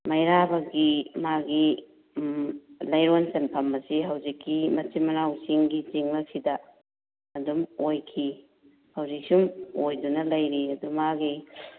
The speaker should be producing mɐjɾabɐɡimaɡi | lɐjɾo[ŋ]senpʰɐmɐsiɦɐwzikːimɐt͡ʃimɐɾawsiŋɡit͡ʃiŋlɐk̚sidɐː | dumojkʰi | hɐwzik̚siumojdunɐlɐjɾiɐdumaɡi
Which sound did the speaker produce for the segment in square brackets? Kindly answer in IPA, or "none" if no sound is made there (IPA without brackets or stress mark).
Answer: n